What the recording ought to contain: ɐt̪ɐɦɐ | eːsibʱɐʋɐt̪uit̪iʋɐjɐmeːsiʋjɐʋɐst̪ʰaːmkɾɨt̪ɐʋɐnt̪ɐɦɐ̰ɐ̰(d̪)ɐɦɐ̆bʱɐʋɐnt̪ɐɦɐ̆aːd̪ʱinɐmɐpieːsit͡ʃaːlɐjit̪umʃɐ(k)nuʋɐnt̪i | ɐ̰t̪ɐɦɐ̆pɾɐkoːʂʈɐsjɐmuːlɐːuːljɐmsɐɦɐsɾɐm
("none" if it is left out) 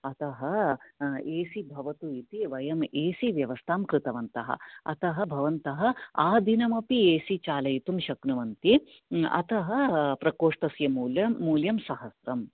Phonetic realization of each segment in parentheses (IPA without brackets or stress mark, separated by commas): t̪, k